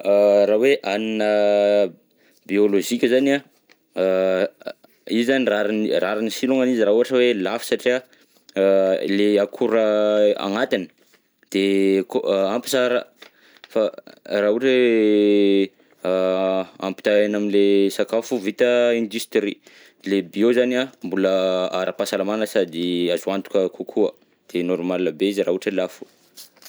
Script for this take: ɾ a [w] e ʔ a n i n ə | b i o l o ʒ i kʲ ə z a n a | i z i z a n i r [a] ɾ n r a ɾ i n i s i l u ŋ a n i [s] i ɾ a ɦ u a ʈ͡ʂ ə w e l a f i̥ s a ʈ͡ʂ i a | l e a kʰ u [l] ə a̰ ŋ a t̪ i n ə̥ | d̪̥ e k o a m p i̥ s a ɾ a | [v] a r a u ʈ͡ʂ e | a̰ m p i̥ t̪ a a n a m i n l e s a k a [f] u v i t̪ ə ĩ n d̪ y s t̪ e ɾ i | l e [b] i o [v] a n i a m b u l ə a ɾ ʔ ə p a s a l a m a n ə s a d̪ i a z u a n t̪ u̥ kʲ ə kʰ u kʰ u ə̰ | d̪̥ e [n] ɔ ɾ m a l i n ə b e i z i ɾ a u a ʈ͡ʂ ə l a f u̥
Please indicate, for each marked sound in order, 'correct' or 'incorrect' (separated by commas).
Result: correct, correct, incorrect, incorrect, incorrect, correct, correct, incorrect, correct